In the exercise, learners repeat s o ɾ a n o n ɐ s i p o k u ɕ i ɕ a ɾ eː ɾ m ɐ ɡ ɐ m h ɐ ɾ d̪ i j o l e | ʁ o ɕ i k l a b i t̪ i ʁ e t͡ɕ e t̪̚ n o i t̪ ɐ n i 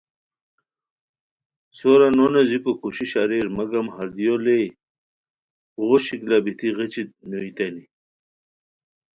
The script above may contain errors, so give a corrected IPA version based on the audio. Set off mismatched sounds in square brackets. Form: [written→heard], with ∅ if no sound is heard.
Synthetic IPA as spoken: s o ɾ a n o n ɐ [s→z] i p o k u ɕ i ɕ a ɾ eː ɾ m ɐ ɡ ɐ m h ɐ ɾ d̪ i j o l e | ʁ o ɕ i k l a b i t̪ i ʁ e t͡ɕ [e→i] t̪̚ n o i t̪ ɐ n i

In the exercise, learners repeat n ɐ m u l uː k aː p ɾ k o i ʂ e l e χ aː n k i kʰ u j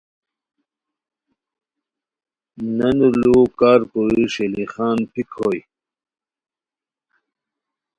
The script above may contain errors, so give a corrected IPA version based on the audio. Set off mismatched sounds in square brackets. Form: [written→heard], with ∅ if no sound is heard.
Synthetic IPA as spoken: n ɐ [m→n] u l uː k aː [p→∅] ɾ k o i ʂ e l [e→i] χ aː n [k→p] i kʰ [u→o] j

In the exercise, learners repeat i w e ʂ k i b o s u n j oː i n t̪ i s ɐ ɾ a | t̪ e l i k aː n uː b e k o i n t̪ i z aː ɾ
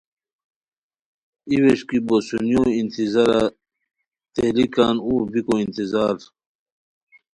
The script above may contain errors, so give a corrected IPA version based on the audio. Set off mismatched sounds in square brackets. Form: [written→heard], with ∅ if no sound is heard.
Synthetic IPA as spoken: i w e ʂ k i b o s u n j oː i n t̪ i [s→z] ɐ ɾ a | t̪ e l i k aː n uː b [e→i] k o i n t̪ i z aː ɾ

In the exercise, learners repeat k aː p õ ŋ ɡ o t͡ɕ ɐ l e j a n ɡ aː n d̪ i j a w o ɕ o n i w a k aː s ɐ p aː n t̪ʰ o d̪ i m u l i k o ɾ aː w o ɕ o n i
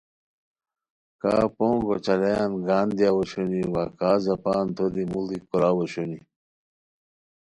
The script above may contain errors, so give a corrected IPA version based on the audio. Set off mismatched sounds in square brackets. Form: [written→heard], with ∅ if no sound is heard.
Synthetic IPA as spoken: k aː p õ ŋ ɡ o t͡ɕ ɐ l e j a n ɡ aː n d̪ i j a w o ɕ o n i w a k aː [s→z] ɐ p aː n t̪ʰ o d̪ i m u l i k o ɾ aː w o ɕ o n i

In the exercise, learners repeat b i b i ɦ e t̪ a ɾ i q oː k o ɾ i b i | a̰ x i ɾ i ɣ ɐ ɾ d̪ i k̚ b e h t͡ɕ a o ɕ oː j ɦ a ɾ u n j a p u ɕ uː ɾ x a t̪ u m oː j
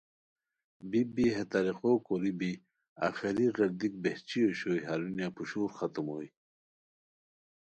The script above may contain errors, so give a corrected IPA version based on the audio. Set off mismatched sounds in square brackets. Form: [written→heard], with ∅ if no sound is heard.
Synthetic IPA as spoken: b i b i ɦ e t̪ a ɾ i q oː k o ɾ i b i | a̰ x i ɾ i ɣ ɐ ɾ d̪ i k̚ b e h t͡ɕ [a→i] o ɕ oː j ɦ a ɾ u n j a p u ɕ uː ɾ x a t̪ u m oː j

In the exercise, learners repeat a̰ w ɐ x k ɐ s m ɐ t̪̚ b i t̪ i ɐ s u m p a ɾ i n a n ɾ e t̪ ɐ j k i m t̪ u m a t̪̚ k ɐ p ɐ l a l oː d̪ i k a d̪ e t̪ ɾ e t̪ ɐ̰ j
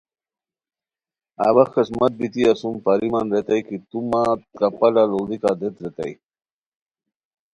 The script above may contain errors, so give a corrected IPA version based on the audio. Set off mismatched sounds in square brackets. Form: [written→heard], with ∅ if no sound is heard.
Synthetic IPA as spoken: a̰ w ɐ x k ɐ s m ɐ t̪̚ b i t̪ i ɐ s u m p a ɾ i [n→m] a n ɾ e t̪ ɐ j k i [m→∅] t̪ u m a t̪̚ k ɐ p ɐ l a l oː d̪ i k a d̪ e t̪ ɾ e t̪ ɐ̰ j

